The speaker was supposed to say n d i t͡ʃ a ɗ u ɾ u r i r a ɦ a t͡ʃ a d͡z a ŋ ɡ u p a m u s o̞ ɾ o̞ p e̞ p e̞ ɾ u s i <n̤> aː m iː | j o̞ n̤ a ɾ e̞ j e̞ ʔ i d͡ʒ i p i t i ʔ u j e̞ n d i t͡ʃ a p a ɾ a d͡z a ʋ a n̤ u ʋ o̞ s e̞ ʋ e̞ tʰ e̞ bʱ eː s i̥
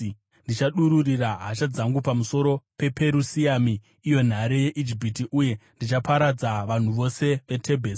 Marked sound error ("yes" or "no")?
yes